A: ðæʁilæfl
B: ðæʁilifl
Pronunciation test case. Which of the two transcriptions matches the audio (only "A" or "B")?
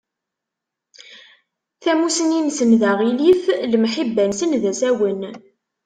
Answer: B